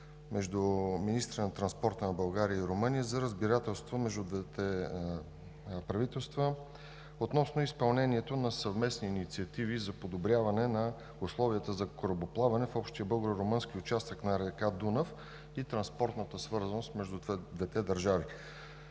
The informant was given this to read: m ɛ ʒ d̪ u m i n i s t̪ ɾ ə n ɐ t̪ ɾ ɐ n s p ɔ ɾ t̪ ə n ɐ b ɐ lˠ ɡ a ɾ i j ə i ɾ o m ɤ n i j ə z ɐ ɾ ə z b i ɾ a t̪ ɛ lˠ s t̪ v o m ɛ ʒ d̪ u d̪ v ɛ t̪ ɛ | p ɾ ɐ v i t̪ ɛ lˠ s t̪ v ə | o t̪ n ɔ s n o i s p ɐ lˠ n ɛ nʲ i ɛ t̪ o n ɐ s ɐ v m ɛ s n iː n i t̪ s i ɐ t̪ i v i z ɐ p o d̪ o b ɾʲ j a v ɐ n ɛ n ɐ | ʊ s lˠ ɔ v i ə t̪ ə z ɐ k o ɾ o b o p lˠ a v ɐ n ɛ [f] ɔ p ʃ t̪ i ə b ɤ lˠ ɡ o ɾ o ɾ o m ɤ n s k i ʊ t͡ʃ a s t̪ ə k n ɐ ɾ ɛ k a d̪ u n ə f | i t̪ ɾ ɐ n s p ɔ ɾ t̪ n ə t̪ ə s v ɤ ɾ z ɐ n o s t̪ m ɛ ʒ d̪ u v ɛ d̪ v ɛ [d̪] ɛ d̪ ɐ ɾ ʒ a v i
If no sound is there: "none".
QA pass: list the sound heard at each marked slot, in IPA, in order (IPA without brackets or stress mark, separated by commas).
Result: f, t̪